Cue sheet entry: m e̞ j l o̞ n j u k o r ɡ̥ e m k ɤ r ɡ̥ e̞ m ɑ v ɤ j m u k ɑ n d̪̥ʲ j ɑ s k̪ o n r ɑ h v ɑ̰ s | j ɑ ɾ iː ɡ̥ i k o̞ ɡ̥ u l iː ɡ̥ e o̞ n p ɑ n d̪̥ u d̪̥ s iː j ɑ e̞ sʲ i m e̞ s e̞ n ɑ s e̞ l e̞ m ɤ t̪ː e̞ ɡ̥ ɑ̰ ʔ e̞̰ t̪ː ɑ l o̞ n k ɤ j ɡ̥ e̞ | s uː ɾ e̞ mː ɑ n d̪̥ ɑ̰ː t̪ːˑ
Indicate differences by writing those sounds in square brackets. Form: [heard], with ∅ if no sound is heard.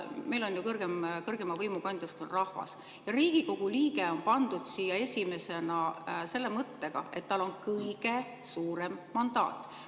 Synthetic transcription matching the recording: m e̞ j l o̞ n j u k [ɤ] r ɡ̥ e m k ɤ r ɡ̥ e̞ m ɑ v ɤ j m u k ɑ n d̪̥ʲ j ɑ s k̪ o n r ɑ h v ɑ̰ s | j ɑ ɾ iː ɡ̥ i k o̞ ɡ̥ u l iː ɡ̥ e o̞ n p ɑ n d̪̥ u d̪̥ s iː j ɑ e̞ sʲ i m e̞ s e̞ n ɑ s e̞ [lː] e̞ m ɤ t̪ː e̞ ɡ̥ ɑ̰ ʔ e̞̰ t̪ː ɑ l o̞ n k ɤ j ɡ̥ e̞ | s uː ɾ e̞ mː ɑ n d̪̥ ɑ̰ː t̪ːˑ